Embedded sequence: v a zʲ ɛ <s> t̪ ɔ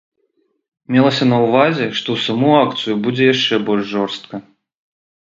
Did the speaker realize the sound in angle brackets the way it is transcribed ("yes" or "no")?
no